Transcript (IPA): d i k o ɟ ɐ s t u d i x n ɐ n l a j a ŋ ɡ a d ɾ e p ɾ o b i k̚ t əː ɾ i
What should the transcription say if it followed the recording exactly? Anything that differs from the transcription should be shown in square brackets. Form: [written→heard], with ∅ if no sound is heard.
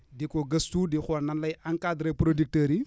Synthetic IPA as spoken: d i k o [ɟ→ɡ] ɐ s t u d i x n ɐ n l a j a ŋ [ɡ→k] a d ɾ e p ɾ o [b→d] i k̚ t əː ɾ i